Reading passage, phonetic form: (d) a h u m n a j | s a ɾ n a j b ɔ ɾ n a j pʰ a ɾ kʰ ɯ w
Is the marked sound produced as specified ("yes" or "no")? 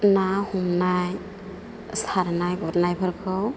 no